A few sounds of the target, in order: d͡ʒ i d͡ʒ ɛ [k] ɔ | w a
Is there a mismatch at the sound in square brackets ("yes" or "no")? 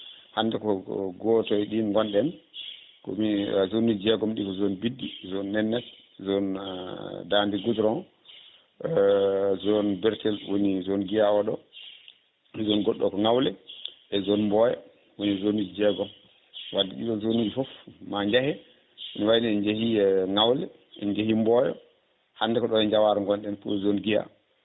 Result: yes